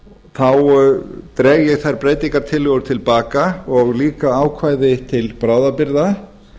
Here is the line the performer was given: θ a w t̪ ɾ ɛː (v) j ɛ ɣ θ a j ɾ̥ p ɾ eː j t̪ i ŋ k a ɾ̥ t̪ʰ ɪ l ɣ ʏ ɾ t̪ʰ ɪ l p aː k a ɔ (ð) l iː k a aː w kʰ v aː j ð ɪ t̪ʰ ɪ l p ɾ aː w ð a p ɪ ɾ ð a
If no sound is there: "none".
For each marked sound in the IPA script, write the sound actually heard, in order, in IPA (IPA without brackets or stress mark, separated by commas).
ɣ, ɣ